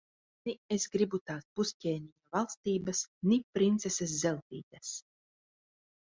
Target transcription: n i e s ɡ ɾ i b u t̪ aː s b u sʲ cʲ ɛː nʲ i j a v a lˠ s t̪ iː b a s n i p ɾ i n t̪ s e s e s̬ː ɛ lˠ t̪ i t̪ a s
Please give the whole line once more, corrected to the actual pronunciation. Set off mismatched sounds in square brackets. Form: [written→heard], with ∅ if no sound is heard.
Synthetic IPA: n i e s ɡ ɾ i b u t̪ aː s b u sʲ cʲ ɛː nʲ i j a v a lˠ s t̪ iː b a s n i p ɾ i n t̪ s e s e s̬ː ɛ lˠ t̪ [i→iː] t̪ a s

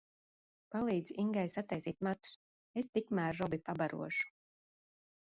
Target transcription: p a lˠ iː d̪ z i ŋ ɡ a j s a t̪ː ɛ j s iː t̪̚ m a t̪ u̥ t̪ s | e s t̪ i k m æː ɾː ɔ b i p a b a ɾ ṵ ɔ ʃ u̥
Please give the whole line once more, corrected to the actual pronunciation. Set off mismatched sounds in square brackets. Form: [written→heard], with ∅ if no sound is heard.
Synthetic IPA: p a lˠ iː d̪ z i ŋ ɡ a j s a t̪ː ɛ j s iː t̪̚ m a t̪ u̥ [t̪→∅] s | e s t̪ i k m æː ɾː ɔ b i p a b a ɾ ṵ ɔ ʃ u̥

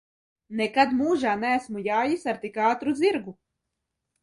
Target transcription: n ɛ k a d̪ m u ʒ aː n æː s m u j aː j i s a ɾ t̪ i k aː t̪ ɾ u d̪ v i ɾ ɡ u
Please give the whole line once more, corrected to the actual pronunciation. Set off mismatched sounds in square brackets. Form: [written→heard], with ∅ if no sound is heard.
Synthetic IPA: n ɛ k a d̪ m [u→uː] ʒ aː n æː s m u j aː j i s a ɾ t̪ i k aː t̪ ɾ u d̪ [v→z] i ɾ ɡ u

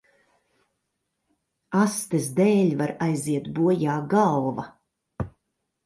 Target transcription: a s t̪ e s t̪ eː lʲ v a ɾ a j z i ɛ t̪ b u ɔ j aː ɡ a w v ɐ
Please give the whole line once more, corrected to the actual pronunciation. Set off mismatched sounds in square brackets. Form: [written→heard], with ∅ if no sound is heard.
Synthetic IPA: a s t̪ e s [t̪→d̪] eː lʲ v a ɾ a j z i ɛ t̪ b u ɔ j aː ɡ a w v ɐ

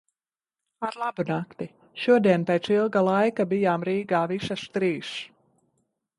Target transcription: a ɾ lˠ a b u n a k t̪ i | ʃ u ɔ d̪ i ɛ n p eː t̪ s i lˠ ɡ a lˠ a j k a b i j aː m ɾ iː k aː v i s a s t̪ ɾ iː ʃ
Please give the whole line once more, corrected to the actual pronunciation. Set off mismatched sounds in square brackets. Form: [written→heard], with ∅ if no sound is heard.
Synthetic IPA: a ɾ lˠ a b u n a k t̪ i | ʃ u ɔ d̪ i ɛ n p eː t̪ s i lˠ ɡ a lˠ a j k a b i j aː m ɾ iː [k→ɡ] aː v i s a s t̪ ɾ iː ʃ

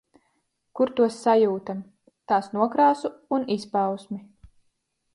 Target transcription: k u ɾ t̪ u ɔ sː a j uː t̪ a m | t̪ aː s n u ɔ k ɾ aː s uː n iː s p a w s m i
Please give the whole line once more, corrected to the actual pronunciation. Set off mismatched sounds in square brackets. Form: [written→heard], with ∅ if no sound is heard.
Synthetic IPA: k u ɾ t̪ u ɔ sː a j uː t̪ a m | t̪ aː s n u ɔ k ɾ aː s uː n [iː→i] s p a w s m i

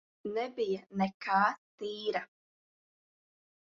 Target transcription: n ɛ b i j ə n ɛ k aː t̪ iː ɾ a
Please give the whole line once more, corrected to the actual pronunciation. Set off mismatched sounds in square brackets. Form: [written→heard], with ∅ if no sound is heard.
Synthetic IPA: n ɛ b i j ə n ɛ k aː t̪ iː ɾ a

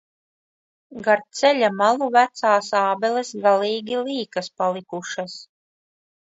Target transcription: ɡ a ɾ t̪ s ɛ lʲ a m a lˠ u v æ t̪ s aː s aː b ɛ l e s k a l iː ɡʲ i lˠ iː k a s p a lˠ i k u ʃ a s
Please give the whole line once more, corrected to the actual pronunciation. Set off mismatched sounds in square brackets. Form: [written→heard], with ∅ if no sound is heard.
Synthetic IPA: ɡ a ɾ t̪ s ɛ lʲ a m a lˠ u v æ t̪ s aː s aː b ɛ l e s [k→ɡ] a l iː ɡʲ i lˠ iː k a s p a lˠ i k u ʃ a s

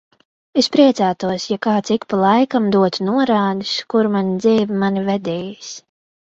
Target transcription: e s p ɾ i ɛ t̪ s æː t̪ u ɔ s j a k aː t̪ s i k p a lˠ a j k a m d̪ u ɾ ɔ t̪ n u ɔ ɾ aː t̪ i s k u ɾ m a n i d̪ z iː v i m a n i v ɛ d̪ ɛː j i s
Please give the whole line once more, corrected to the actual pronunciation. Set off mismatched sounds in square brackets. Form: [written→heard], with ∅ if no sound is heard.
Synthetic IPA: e s p ɾ i ɛ t̪ s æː t̪ u ɔ s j a k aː t̪ s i k p a lˠ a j k a m d̪ u [ɾ→∅] ɔ t̪ n u ɔ ɾ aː [t̪→d̪] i s k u ɾ m a n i d̪ z iː v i m a n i v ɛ d̪ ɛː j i s

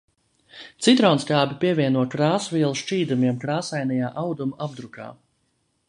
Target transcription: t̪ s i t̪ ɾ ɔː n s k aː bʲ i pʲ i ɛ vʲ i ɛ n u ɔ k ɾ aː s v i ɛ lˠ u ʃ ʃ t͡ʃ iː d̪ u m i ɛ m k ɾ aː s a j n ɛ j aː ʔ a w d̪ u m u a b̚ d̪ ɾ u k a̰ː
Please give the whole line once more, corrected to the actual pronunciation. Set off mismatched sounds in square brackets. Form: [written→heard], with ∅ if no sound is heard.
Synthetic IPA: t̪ s i t̪ ɾ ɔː n s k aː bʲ i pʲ i ɛ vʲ i ɛ n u ɔ k ɾ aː s v i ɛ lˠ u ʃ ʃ t͡ʃ iː d̪ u m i ɛ m k ɾ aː s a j n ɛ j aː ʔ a w d̪ u m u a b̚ d̪ ɾ u k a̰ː

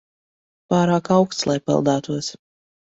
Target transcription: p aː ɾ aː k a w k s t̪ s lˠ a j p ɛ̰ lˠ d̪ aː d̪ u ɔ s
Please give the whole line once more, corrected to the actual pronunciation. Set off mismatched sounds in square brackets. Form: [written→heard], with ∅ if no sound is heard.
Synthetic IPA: p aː ɾ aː k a w k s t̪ s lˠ a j p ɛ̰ lˠ d̪ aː [d̪→t̪] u ɔ s

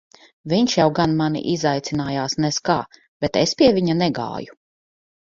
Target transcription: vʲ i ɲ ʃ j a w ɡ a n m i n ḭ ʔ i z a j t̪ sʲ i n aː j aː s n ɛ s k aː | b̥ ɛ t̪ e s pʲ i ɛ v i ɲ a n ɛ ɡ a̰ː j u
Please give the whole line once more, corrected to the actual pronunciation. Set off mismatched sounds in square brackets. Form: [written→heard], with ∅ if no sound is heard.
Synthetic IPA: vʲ i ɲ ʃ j a w ɡ a n m [i→a] n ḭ ʔ i z a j t̪ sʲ i n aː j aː s n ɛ s k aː | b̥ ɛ t̪ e s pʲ i ɛ v i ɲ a n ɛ ɡ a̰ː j u

